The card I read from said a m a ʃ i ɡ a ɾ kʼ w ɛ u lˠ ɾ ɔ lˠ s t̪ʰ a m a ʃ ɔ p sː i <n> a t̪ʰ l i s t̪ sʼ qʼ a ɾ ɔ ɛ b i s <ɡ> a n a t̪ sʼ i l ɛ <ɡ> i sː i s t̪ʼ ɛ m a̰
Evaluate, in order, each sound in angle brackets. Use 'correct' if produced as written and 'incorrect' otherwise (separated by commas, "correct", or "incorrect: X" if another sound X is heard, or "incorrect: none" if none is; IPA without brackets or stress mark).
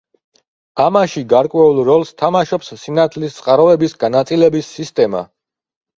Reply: correct, correct, incorrect: b